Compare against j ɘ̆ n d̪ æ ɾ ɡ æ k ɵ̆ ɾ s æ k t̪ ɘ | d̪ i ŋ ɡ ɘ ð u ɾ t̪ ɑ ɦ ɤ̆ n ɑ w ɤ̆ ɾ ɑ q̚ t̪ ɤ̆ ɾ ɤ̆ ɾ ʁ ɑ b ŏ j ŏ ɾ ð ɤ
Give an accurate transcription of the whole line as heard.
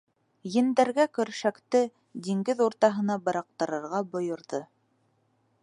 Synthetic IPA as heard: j ɘ̆ n d̪ æ ɾ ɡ æ k ɵ̆ ɾ ʃ æ k t̪ ɘ | d̪ i ŋ ɡ ɘ ð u ɾ t̪ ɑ ɦ ɤ̆ n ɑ b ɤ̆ ɾ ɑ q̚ t̪ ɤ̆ ɾ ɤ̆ ɾ ʁ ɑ b ŏ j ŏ ɾ ð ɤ